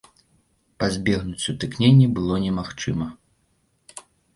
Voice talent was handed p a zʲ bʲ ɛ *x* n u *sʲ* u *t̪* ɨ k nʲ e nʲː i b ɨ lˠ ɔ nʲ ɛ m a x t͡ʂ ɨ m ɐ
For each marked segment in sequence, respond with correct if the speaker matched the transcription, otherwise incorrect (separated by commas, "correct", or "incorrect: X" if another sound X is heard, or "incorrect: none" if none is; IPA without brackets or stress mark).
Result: incorrect: ɣ, incorrect: t͡sʲ, correct